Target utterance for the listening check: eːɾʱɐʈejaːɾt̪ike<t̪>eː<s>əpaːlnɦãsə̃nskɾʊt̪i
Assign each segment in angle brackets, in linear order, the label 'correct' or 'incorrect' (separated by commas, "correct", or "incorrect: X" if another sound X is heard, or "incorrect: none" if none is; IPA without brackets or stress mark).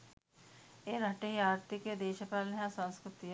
incorrect: d̪, incorrect: ʃ